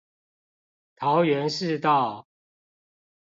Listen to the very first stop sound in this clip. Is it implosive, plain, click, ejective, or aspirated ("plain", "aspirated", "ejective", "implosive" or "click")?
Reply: aspirated